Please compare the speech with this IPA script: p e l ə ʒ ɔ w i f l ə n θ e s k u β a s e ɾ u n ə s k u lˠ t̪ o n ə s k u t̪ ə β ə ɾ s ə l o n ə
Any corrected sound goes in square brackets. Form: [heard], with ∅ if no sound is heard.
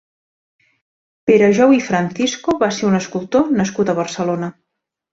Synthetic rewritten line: p e [ɾ] ə ʒ ɔ w i f [ɾ] ə n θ [i] s k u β a s e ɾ u n ə s k u lˠ t̪ o n ə s k u t̪ ə β ə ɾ s ə l o n ə